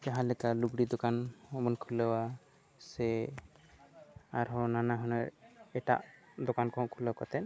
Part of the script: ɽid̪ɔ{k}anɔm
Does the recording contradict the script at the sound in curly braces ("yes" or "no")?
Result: no